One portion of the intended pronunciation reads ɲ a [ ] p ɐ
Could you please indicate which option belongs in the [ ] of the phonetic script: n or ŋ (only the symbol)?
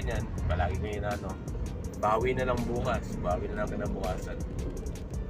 n